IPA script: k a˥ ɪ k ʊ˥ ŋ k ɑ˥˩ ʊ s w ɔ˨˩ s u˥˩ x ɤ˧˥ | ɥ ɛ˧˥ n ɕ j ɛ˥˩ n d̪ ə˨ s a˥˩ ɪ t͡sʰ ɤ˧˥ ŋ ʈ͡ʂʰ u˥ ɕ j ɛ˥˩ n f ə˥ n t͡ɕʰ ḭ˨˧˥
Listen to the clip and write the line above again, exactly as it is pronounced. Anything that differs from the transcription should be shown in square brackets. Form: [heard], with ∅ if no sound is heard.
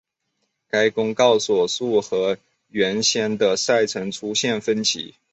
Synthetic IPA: k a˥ ɪ k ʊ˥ ŋ k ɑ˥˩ ʊ s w ɔ˨˩ s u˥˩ x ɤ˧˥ | ɥ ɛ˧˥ n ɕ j [ɛ˥] n d̪ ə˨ s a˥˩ ɪ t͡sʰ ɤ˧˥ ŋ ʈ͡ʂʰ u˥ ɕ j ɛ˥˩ n f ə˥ n t͡ɕʰ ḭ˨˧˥